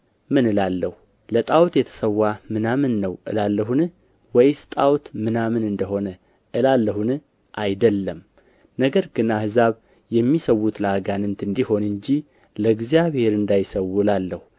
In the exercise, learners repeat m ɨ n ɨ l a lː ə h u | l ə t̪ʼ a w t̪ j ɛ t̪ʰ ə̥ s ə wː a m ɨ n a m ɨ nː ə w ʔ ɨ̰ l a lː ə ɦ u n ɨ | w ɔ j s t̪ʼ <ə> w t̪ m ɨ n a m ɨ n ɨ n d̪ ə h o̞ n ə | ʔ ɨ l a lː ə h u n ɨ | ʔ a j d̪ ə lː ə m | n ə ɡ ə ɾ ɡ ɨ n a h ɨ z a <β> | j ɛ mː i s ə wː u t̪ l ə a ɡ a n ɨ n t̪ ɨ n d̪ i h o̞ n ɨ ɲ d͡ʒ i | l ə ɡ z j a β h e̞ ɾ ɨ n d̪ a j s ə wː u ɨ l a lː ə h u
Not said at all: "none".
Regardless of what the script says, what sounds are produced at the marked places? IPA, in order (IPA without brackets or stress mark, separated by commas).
a, β